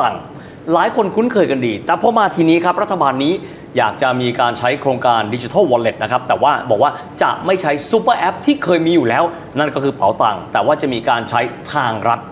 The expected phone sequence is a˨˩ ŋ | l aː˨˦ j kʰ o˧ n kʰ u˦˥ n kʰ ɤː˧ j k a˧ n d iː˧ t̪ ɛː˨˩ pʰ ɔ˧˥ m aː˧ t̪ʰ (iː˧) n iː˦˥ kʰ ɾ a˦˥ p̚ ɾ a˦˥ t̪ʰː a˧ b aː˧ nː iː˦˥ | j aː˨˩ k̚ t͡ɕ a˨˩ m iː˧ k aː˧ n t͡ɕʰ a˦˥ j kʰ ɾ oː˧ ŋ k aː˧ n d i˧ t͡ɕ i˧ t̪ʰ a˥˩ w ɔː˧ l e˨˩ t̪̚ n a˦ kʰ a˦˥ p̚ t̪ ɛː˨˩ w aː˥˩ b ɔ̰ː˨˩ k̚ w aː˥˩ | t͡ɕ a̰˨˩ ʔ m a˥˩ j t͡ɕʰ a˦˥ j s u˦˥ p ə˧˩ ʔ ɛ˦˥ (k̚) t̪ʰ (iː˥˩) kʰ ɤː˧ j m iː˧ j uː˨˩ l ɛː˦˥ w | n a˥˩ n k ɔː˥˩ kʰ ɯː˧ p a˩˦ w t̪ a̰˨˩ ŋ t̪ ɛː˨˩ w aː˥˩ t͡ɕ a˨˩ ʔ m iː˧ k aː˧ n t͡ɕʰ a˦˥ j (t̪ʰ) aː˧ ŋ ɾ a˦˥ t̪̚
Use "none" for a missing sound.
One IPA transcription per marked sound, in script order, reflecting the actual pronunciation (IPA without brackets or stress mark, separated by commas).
iː˧, p̚, iː˥˩, t̪ʰ